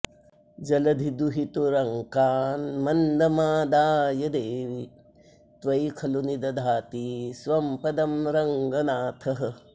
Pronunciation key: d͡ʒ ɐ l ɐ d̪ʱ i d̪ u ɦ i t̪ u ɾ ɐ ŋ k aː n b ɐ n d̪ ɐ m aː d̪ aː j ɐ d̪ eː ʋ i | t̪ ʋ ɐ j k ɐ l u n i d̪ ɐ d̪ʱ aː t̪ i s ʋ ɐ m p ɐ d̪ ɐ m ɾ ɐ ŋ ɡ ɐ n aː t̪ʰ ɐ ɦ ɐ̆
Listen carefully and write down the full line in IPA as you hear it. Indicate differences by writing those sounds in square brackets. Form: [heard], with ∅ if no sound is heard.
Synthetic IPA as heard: d͡ʒ ɐ l ɐ d̪ʱ i d̪ u ɦ i t̪ u ɾ ɐ ŋ k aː n [m] ɐ n d̪ ɐ m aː d̪ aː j ɐ d̪ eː ʋ i | t̪ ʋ ɐ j [kʰ] ɐ l u n i d̪ ɐ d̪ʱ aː t̪ i s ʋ ɐ m p ɐ d̪ ɐ m ɾ ɐ ŋ ɡ ɐ n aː t̪ʰ ɐ ɦ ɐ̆